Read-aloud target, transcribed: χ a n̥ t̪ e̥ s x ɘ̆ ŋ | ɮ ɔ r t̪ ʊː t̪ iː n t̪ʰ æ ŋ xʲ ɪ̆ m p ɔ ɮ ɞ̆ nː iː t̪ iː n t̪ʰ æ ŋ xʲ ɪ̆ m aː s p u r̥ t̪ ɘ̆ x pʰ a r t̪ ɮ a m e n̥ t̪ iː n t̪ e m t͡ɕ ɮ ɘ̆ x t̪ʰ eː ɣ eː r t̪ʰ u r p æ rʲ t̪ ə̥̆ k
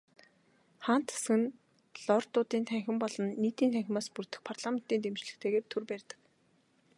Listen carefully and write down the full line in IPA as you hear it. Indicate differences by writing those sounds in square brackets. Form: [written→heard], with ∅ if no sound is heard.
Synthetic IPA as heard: χ a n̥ t̪ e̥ s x ɘ̆ [ŋ→n] | ɮ ɔ r t̪ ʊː t̪ iː n t̪ʰ æ ŋ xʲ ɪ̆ m p ɔ ɮ ɞ̆ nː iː t̪ iː n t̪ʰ æ ŋ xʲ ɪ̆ m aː s p u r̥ t̪ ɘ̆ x pʰ a r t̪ ɮ a m e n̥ t̪ iː n t̪ e m t͡ɕ ɮ ɘ̆ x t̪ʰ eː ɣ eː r t̪ʰ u r p æ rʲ t̪ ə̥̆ k